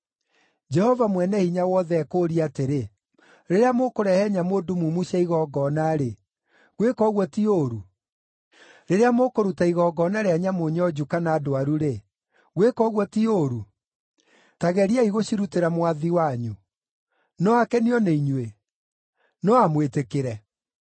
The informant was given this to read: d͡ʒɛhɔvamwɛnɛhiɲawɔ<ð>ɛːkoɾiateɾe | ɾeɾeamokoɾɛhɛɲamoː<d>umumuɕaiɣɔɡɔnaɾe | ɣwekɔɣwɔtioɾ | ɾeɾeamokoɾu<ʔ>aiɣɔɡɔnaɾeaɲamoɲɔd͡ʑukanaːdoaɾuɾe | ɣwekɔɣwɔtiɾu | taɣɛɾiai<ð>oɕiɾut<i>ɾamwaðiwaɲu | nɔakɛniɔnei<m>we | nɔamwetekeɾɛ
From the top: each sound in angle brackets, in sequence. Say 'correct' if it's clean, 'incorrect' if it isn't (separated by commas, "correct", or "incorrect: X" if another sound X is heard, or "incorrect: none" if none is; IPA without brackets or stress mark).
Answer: correct, correct, incorrect: t, incorrect: ɣ, incorrect: e, incorrect: ɲ